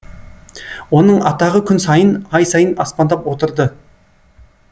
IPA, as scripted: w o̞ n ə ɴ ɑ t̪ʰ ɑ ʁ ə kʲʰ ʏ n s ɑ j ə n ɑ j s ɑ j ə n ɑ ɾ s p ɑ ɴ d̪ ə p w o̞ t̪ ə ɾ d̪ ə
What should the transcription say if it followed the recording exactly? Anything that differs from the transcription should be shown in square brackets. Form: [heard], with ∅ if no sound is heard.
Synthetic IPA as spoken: w o̞ n ə ɴ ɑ [t̪] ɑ ʁ ə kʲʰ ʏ n s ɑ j ə n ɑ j s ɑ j ə n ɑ [∅] s p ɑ [n] d̪ [ɑ] p w o̞ t̪ ə ɾ d̪ ə

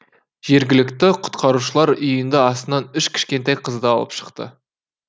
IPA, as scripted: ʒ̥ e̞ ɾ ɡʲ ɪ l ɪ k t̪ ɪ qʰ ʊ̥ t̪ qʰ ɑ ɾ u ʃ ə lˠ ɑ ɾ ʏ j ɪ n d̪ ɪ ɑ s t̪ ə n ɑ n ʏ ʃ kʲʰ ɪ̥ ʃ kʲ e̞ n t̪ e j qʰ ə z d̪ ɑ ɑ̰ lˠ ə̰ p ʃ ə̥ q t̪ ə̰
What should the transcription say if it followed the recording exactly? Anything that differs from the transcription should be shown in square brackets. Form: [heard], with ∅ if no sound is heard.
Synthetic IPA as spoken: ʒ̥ e̞ ɾ ɡʲ ɪ l ɪ k t̪ ɪ qʰ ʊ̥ t̪ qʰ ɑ ɾ u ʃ ə lˠ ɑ ɾ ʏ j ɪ n d̪ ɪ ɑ s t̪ ə n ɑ n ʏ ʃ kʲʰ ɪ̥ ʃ kʲ e̞ n t̪ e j qʰ ə z d̪ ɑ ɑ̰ lˠ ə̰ p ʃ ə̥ q t̪ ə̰

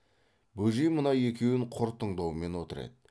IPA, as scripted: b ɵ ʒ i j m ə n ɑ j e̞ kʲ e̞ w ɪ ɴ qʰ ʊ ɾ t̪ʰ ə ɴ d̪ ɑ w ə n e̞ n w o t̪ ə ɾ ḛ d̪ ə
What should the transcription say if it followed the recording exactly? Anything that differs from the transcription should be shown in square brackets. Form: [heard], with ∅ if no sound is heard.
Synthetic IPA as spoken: b ɵ ʒ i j m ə n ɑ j e̞ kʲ e̞ w ɪ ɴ qʰ ʊ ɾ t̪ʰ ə ɴ d̪ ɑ w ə [m] e̞ n w o t̪ ə ɾ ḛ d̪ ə

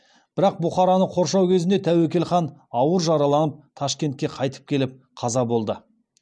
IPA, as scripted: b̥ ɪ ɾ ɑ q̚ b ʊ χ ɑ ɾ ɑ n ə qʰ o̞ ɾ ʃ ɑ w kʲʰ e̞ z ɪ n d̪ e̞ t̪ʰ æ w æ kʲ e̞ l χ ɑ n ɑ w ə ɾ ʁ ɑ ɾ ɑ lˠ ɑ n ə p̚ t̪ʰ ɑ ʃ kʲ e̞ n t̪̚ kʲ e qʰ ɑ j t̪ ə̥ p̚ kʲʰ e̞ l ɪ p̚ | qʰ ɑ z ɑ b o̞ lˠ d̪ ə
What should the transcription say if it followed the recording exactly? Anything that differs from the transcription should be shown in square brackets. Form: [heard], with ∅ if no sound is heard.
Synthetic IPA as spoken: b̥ ɪ ɾ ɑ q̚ b ʊ χ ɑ ɾ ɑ n ə qʰ o̞ ɾ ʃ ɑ w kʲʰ e̞ z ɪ n d̪ e̞ t̪ʰ æ w [e] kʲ e̞ l χ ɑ n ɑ w ə ɾ [ʒ] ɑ ɾ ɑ lˠ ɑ n ə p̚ t̪ʰ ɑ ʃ kʲ e̞ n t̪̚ kʲ e qʰ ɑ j t̪ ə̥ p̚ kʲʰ e̞ l ɪ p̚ | qʰ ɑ z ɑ b o̞ lˠ d̪ ə

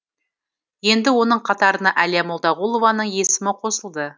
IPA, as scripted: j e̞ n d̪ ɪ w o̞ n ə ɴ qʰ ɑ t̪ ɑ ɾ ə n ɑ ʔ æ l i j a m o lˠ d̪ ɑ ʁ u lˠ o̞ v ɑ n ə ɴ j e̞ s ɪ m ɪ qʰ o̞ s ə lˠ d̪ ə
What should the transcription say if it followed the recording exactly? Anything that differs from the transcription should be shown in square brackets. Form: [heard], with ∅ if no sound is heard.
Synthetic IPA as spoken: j e̞ n d̪ ɪ w o̞ n ə ɴ qʰ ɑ t̪ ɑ ɾ ə n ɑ ʔ æ l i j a m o lˠ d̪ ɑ ʁ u lˠ o̞ v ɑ n ə ɴ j e̞ s ɪ m ɪ qʰ o̞ s ə lˠ d̪ ə

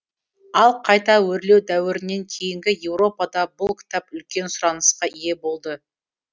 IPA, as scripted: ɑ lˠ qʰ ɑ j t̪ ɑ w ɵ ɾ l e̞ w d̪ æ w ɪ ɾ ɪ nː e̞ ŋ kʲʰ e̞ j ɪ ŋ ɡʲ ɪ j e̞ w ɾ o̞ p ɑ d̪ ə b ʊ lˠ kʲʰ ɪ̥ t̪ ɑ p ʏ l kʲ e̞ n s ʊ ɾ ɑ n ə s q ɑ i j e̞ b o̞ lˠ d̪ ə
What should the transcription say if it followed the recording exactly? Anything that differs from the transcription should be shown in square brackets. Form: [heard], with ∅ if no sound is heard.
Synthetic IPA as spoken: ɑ lˠ qʰ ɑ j t̪ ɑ w ɵ ɾ l e̞ w d̪ æ w ɪ ɾ ɪ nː e̞ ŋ kʲʰ e̞ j ɪ ŋ ɡʲ ɪ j e̞ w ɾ o̞ p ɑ d̪ [ɑ] b ʊ lˠ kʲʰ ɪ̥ t̪ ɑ p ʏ l kʲ e̞ n s ʊ ɾ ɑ n ə s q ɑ i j e̞ b o̞ lˠ d̪ ə

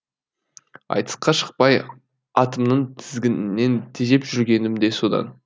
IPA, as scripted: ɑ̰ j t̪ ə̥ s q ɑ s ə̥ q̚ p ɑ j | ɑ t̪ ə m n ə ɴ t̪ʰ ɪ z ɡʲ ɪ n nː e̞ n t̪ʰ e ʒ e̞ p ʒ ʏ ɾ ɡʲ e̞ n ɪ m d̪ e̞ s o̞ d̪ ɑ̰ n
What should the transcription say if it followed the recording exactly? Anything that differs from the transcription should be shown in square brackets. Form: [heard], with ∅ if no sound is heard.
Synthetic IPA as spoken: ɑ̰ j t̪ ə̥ s q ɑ [ʃ] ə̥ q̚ p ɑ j | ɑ t̪ ə m n ə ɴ t̪ʰ ɪ z ɡʲ ɪ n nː e̞ n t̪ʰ e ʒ e̞ p ʒ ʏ ɾ ɡʲ e̞ n ɪ m d̪ e̞ s o̞ d̪ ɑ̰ n

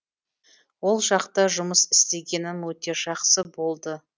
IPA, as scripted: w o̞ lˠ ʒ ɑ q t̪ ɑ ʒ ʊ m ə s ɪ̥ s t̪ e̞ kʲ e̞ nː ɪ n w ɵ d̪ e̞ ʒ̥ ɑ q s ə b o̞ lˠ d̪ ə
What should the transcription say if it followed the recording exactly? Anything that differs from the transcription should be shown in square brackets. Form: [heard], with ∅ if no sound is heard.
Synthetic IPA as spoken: w o̞ lˠ ʒ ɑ q t̪ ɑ ʒ ʊ m ə s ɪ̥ s t̪ e̞ [ɡʲ] e̞ [n] ɪ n w ɵ [t̪] e̞ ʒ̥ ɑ q s ə b o̞ lˠ d̪ ə

